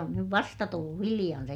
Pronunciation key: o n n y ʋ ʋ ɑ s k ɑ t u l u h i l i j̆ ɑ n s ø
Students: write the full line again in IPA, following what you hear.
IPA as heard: o n n y ʋ ʋ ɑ s t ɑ t u lː u h i l i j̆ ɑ n s e